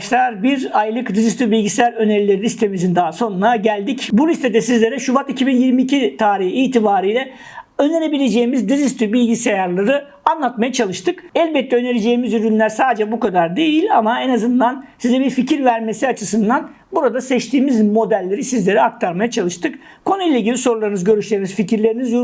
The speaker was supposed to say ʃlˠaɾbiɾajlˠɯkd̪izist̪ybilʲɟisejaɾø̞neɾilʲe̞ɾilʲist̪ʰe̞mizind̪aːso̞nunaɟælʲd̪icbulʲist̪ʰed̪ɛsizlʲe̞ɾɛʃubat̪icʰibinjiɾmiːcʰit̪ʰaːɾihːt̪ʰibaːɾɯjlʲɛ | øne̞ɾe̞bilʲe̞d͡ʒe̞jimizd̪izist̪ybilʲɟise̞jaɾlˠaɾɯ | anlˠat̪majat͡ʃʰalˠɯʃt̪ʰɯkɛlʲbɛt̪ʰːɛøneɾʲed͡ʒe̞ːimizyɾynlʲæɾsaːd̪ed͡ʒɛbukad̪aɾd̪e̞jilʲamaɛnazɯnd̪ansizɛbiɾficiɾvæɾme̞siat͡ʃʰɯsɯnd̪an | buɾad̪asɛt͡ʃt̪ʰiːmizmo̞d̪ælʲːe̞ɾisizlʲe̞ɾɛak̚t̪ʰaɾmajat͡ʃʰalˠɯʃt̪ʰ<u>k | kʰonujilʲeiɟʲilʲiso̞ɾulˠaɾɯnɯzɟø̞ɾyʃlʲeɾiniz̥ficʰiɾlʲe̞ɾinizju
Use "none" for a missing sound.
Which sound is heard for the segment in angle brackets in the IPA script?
ɯ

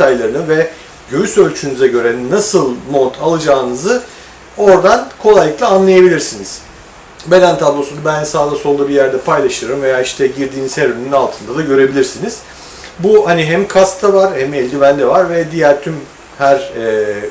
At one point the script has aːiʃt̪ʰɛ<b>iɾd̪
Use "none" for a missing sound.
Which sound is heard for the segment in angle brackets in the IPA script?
ɟ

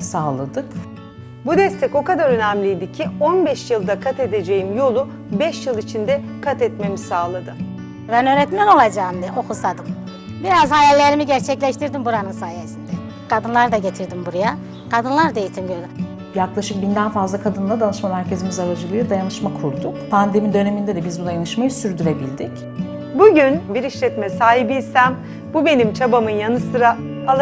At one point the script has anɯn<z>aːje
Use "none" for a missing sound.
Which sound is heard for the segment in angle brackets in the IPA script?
s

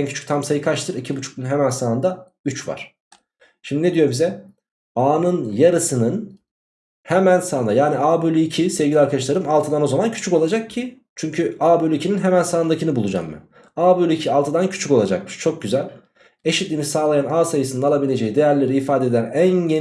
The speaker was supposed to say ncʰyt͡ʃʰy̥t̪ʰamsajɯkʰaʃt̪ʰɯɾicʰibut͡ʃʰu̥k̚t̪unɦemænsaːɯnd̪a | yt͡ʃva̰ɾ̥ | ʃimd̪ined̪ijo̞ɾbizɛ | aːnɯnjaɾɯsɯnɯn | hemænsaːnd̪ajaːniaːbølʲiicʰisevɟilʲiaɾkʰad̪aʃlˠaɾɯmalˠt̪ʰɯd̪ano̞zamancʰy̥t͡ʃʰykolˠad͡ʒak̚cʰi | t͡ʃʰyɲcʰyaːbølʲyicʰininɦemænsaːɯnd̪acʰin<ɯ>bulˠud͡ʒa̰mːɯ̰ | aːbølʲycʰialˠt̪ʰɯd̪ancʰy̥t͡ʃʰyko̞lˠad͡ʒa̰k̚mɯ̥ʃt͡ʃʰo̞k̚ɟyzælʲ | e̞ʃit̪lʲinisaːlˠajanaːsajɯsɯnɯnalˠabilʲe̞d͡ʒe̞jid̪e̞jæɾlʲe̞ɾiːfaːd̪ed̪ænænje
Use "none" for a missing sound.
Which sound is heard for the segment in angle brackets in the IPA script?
ɯ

